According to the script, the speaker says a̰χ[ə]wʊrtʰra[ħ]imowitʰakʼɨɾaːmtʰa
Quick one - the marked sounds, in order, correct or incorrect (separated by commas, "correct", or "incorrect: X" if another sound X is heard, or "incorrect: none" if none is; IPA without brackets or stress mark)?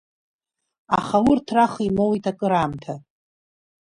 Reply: incorrect: a, incorrect: χ